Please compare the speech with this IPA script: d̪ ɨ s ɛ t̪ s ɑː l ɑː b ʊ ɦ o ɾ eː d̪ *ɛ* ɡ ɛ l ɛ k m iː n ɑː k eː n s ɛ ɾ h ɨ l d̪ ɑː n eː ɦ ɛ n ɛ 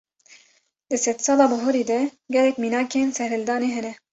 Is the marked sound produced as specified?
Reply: yes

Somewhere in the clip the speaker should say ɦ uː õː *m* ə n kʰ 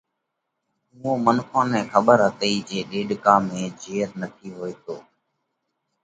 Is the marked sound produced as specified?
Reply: yes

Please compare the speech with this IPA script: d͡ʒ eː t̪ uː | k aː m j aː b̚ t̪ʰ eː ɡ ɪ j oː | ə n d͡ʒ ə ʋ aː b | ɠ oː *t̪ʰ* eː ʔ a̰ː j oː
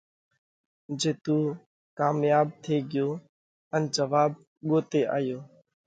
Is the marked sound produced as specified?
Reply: no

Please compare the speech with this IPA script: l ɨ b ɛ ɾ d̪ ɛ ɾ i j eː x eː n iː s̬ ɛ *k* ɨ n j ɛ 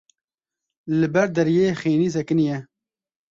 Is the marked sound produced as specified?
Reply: yes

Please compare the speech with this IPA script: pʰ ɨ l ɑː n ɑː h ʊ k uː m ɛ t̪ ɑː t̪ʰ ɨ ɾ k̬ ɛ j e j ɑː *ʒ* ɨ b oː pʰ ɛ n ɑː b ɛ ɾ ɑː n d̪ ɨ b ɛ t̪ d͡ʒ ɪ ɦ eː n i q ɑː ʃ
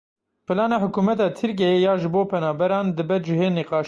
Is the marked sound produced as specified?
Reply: yes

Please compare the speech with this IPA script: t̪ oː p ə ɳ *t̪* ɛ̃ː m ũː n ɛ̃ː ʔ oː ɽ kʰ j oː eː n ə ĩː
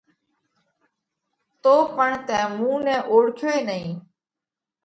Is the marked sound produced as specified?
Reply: yes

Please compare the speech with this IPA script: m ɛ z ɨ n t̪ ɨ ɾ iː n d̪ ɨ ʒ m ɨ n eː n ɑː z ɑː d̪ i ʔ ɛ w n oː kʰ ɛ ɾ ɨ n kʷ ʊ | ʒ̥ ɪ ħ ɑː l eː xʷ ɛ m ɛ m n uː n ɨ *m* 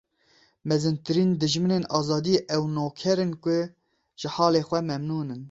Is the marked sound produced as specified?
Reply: no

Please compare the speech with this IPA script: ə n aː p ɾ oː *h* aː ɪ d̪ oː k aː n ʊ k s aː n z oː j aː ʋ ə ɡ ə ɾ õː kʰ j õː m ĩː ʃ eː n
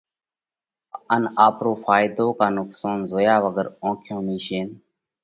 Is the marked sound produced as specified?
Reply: no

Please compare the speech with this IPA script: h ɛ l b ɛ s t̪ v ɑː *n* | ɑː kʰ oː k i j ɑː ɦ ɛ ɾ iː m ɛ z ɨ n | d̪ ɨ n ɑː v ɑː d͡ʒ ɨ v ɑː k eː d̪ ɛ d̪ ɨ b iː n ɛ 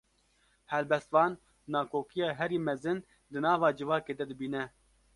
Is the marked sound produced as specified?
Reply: no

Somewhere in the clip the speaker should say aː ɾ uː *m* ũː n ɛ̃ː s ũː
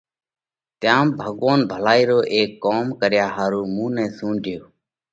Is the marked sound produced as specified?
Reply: yes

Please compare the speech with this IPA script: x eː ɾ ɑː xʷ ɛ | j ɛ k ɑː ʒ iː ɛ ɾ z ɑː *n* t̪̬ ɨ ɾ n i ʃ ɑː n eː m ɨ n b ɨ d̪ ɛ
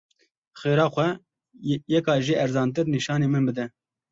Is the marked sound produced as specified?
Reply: yes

